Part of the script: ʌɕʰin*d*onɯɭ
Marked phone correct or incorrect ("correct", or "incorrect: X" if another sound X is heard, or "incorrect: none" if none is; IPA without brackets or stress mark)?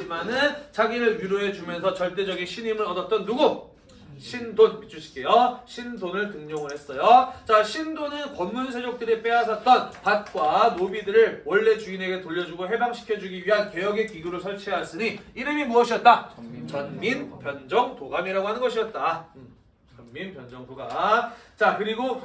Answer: correct